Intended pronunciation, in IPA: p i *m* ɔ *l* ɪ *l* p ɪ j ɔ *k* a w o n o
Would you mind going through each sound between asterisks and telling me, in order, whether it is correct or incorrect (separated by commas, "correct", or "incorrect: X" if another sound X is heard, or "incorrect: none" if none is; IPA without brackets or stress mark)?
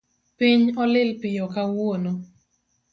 incorrect: ɲ, correct, correct, correct